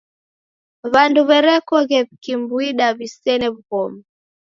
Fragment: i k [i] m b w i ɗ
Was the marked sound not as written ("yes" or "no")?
no